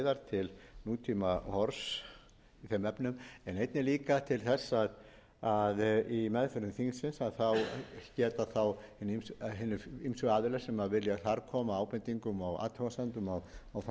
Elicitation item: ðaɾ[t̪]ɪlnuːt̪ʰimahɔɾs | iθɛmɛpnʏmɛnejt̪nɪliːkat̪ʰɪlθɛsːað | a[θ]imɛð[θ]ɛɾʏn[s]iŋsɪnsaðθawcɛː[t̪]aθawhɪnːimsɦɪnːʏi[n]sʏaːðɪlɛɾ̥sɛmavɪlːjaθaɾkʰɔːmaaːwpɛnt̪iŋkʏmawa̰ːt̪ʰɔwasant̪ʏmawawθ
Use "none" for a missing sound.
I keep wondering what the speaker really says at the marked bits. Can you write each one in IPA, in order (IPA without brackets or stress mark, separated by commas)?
t̪ʰ, ð, f, θ, t̪, m